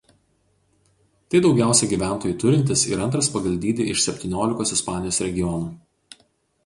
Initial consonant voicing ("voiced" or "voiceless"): voiceless